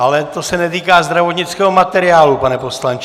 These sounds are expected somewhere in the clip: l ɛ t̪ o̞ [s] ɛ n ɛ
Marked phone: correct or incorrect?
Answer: correct